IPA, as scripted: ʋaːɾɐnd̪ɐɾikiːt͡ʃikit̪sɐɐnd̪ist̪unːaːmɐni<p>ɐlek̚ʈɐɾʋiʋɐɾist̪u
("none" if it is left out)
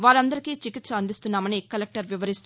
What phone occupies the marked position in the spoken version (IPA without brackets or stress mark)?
k